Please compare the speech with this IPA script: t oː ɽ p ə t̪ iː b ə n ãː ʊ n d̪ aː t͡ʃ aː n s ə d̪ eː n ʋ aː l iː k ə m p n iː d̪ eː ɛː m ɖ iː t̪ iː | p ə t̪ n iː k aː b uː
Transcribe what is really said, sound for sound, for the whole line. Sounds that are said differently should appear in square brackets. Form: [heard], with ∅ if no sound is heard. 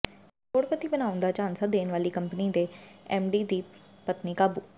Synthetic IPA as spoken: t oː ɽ p ə t̪ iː b ə n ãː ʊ n d̪ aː t͡ʃ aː n s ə d̪ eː n ʋ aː l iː k ə m p n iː d̪ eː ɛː m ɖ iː [d̪] iː | p ə t̪ n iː k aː b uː